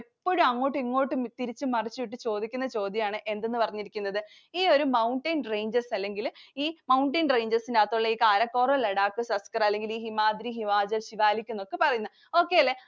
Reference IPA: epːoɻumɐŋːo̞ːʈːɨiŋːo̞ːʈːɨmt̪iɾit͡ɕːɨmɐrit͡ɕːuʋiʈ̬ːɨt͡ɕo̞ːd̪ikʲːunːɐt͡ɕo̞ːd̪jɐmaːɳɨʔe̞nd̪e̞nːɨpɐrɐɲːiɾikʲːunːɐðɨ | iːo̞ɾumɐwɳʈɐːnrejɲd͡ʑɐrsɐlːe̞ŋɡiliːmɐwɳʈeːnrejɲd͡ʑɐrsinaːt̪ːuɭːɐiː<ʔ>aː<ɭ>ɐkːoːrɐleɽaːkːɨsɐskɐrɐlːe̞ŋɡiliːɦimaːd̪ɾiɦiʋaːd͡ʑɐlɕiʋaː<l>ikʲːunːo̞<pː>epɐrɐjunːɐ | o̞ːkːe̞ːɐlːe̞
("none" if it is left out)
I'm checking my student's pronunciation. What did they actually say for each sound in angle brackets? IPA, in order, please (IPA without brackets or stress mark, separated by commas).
k, ɾ, l, kː